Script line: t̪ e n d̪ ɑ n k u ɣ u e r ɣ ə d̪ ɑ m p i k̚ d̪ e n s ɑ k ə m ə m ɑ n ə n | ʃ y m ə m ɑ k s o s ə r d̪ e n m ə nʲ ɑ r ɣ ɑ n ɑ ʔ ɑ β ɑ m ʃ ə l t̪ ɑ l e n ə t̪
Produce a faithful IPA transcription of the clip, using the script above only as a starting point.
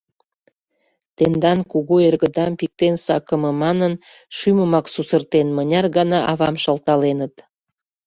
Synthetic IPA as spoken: t̪ e n d̪ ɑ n k u ɣ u e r ɣ ə d̪ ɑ m p i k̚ t̪ e n s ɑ k ə m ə m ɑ n ə n | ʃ y m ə m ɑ k s u s ə r t̪ e n m ə nʲ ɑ r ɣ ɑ n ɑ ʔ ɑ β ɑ m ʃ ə l t̪ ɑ l e n ə t̪